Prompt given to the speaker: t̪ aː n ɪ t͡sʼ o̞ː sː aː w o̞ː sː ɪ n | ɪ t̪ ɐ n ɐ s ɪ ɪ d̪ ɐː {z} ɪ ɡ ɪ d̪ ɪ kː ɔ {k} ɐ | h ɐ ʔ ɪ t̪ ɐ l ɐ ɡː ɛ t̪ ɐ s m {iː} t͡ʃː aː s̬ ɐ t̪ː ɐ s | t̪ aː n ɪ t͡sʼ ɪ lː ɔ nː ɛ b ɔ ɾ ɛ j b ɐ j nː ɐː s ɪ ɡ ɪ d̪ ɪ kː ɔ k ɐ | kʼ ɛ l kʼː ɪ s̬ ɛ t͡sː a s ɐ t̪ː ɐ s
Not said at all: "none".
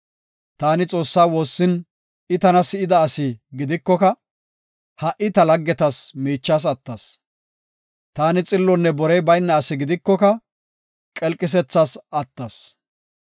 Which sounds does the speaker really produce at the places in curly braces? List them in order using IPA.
s, k, iː

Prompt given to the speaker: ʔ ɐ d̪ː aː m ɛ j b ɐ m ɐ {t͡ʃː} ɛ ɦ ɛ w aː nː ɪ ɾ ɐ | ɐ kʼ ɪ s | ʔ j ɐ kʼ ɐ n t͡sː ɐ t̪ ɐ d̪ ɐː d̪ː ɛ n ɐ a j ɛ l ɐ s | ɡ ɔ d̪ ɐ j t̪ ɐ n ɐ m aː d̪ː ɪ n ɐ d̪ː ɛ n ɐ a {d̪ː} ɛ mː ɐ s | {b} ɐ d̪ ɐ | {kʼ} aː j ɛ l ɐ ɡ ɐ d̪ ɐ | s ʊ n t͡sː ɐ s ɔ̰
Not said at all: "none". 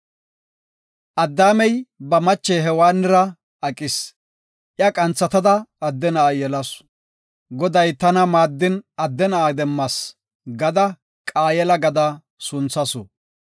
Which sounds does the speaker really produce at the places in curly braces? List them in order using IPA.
t͡ʃː, d̪, ɡ, kʼ

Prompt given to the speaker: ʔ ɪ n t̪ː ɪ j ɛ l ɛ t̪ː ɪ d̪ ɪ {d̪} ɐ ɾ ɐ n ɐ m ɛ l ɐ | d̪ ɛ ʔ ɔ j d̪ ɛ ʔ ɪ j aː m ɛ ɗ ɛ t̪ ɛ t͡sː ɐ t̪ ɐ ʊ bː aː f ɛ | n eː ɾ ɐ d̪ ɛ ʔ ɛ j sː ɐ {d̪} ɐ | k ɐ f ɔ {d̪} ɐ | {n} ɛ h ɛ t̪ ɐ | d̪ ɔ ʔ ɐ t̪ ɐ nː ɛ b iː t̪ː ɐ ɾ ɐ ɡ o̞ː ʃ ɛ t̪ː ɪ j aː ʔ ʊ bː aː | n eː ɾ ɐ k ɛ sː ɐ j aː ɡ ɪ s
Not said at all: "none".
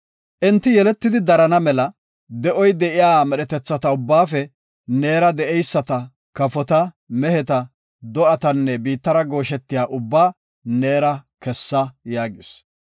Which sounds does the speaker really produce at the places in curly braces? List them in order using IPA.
d̪, t̪, t̪, m

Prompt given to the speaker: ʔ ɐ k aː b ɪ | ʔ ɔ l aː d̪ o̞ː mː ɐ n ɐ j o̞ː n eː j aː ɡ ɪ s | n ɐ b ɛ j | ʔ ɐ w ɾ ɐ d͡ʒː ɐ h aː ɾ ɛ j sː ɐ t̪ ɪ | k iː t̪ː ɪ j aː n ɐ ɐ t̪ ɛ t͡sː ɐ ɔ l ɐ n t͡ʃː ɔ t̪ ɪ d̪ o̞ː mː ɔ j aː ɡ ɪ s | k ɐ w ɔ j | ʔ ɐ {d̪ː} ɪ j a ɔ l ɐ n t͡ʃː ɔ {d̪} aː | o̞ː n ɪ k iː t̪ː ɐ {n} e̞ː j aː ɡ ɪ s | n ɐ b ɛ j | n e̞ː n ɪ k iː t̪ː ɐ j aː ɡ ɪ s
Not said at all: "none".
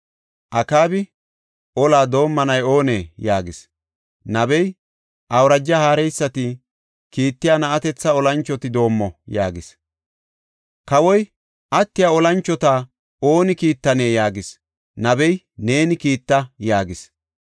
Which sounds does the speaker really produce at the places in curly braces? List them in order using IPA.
t̪ː, t̪, n

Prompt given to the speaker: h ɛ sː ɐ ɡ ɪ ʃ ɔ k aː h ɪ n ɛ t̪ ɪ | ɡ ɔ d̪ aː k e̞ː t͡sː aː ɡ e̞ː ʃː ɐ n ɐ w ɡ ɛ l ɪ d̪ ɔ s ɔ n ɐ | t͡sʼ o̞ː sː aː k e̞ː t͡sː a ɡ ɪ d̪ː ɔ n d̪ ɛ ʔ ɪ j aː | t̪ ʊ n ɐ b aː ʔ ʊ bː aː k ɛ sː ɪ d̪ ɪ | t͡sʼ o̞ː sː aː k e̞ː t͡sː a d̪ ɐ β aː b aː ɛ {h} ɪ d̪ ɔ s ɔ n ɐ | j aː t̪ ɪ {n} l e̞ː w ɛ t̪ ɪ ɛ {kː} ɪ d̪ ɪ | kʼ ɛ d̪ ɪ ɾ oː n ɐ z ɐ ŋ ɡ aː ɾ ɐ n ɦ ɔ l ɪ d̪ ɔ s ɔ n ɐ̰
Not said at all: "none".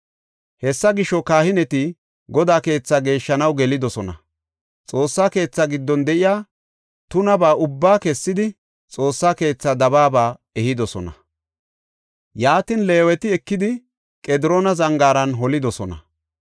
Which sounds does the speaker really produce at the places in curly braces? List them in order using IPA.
h, n, kː

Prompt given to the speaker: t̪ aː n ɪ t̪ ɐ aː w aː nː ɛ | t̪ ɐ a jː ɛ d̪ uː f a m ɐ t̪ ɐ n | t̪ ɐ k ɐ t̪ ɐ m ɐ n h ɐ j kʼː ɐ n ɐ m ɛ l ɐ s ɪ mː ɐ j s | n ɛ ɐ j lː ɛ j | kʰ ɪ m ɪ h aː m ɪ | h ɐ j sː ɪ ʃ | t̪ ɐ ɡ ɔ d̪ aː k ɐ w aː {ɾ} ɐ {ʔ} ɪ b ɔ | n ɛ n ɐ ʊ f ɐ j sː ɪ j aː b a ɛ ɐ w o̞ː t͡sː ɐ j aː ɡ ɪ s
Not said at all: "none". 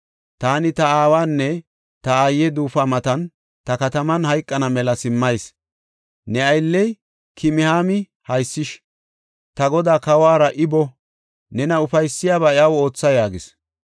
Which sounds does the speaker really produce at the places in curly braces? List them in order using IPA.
ɾ, ʔ

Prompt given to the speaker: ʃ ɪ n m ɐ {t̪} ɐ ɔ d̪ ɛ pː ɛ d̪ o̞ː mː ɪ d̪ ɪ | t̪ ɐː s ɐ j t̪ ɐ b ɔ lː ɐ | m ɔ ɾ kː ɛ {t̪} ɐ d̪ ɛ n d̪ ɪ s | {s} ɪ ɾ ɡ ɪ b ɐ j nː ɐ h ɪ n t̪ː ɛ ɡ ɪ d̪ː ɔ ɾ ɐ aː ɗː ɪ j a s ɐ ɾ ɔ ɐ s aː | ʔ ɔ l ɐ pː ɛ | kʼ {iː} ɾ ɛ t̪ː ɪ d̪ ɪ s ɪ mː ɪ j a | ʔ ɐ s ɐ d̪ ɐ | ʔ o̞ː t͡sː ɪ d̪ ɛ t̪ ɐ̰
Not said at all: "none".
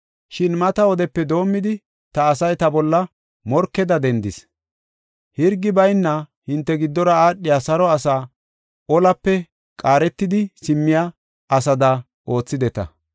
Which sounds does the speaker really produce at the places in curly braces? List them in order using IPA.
t̪, d̪, h, aː

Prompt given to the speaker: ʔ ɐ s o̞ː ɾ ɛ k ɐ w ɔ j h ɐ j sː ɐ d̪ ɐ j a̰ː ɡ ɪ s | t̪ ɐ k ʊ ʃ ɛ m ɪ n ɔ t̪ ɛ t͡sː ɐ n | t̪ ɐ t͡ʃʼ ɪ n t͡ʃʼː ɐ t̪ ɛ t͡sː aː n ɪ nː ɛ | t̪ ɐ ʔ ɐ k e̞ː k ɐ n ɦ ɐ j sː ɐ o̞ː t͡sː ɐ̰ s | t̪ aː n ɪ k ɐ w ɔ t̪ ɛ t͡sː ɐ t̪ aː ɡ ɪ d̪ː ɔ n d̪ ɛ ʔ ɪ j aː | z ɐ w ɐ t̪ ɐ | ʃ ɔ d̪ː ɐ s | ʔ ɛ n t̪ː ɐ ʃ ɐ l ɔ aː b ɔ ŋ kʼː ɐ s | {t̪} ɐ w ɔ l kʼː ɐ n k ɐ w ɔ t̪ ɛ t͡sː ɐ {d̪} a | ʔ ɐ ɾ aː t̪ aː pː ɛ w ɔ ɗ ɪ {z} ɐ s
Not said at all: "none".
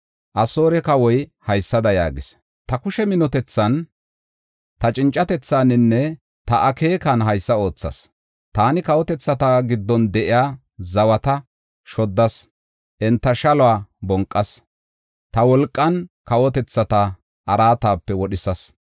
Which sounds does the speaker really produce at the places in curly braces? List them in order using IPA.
t̪, t̪, s

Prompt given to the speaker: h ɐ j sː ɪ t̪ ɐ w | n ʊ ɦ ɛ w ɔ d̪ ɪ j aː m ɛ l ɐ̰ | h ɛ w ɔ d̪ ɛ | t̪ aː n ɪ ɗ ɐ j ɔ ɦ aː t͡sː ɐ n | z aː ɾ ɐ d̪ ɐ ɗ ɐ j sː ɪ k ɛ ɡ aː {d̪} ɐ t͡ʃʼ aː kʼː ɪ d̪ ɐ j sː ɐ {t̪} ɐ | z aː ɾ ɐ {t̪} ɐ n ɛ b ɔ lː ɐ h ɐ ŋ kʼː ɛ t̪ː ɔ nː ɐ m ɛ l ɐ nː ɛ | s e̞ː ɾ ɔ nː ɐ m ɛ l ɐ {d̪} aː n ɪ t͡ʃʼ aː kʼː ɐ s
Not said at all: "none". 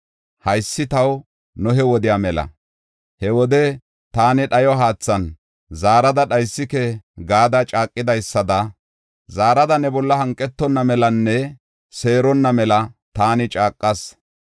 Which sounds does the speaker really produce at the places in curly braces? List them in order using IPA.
d̪, d̪, d̪, t̪

